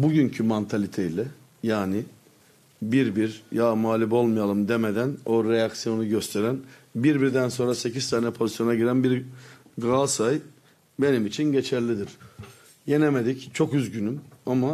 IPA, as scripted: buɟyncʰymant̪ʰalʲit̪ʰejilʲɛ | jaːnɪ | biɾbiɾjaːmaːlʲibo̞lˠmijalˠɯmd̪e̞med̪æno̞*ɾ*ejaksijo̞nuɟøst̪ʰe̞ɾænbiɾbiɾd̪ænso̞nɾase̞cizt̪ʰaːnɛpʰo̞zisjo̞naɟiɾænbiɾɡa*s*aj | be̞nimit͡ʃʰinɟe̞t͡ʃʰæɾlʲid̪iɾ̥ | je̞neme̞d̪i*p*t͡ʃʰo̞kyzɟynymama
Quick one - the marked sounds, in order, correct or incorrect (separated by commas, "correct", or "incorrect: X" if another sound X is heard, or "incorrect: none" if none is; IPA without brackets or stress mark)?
correct, correct, incorrect: c